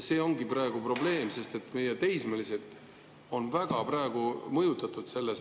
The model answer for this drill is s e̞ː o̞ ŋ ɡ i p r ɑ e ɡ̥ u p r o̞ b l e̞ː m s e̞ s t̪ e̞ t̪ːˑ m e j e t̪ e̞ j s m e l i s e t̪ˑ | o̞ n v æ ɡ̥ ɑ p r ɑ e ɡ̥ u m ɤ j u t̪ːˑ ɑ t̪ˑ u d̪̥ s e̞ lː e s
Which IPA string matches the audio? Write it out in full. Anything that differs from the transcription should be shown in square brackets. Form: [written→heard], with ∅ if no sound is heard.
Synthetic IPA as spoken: s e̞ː o̞ ŋ ɡ i p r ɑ e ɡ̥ u p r o̞ b l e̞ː m s e̞ s t̪ e̞ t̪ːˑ m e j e t̪ e̞ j s m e l i s e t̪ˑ | o̞ n v æ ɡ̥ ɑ p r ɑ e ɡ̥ u m ɤ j u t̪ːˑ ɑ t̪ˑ u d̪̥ s e̞ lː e s